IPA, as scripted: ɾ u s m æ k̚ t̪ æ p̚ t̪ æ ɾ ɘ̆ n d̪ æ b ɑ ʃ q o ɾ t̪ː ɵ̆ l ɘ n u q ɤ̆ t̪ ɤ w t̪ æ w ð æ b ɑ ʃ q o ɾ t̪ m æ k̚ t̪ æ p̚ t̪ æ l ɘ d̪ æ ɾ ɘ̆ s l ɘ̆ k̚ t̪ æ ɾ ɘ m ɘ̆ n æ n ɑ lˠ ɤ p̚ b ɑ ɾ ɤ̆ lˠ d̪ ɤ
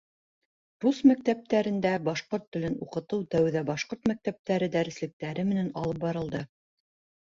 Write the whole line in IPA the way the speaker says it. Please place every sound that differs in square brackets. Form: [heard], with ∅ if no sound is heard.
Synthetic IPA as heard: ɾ u s m æ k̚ t̪ æ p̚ t̪ æ ɾ ɘ̆ n d̪ æ b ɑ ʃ q o ɾ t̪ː ɵ̆ l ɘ n u q ɤ̆ t̪ ɤ w t̪ æ w ð æ b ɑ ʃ q o ɾ t̪ m æ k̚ t̪ æ p̚ t̪ æ [ɾ] ɘ d̪ æ ɾ ɘ̆ s l ɘ̆ k̚ t̪ æ ɾ ɘ m ɘ̆ n æ n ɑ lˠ ɤ p̚ b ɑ ɾ ɤ̆ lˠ d̪ ɤ